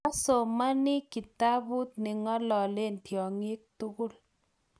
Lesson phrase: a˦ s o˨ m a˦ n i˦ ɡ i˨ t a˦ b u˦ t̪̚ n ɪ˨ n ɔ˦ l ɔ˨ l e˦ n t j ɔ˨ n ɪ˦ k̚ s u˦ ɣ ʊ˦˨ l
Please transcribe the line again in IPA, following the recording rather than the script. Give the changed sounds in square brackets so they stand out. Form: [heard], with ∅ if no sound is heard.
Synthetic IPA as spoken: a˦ s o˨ m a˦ n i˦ [k] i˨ t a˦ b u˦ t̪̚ n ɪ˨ [ŋ] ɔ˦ l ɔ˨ l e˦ n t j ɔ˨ [ŋ] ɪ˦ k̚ [t] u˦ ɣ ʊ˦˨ l